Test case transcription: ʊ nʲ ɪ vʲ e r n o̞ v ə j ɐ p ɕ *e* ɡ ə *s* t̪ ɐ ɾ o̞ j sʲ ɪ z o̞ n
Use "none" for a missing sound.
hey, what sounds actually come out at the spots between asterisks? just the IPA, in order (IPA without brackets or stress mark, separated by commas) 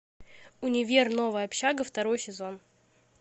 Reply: a, f